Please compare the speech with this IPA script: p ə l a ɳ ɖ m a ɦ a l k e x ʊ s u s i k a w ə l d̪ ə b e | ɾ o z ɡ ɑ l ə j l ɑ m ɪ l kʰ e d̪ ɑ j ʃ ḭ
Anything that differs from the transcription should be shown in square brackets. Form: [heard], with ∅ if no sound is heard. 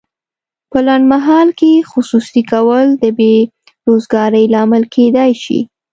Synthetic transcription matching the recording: p ə l a ɳ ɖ m a ɦ [ɑ] l k e x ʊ s u s i k a w ə l d̪ ə b e | ɾ o z ɡ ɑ [ɾ] ə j l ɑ m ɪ l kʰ e d̪ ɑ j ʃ ḭ

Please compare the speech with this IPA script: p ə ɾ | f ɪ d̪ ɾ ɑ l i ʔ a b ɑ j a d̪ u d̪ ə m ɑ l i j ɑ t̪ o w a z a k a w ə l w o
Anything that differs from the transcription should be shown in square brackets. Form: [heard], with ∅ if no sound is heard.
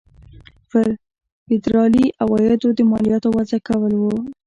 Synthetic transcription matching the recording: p ə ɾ | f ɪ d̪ ɾ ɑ l i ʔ a [w] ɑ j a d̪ [o] d̪ ə m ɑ l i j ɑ t̪ o w a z a k a w ə l w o

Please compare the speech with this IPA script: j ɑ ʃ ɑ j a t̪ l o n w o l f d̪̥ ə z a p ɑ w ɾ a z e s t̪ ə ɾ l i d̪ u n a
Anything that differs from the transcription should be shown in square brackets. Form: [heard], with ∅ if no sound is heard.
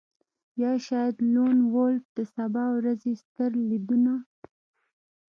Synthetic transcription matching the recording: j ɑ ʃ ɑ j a [d̪] l o n w o l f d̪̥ ə [s] a [b] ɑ w ɾ a z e s t̪ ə ɾ l i d̪ u n a

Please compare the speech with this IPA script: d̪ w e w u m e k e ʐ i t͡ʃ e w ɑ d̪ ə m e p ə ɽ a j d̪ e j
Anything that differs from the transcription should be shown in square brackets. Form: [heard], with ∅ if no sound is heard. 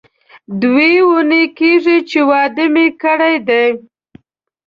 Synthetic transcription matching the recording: d̪ w e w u [n] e k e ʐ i t͡ʃ e w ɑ d̪ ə m e [k] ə ɽ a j d̪ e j

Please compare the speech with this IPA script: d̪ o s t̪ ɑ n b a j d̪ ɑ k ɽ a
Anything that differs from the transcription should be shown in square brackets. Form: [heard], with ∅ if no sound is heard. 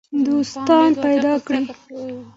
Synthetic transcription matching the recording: d̪ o s t̪ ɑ n [p] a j d̪ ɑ k ɽ [i]

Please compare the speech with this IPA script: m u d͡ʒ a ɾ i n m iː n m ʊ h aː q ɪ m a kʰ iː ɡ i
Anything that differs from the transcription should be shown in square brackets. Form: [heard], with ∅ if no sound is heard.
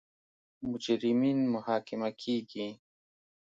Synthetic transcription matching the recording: m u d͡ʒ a ɾ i [∅] m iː n m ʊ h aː [k] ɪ m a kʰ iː ɡ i

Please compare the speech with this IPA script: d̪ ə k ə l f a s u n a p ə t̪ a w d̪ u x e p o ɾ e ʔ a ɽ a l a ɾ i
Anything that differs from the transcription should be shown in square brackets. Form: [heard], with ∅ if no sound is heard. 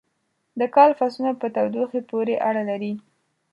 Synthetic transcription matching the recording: d̪ ə k [ɑ] l f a s u n a p ə t̪ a w d̪ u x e p o ɾ e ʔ a ɽ a l a ɾ i

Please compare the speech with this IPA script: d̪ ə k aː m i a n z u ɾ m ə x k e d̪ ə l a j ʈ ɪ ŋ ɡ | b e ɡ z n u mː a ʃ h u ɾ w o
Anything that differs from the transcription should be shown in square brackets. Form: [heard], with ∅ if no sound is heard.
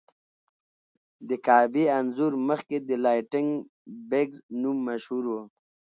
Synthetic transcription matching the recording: d̪ ə k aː [b] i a n z u ɾ m ə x k e d̪ ə l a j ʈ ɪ ŋ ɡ | b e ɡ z n u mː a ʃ h u ɾ w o

